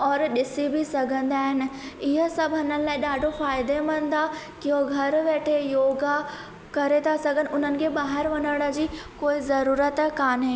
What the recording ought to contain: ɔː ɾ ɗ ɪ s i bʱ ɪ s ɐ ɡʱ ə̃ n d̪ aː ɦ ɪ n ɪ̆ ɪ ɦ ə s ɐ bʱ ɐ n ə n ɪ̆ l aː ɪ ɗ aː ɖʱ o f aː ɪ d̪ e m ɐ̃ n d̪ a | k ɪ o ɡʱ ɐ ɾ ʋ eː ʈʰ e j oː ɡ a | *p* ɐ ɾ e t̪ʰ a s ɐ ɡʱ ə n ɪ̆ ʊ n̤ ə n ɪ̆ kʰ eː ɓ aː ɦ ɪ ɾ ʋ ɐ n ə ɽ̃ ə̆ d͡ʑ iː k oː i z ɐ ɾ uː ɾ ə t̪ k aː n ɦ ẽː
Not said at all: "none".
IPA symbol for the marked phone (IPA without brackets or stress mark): k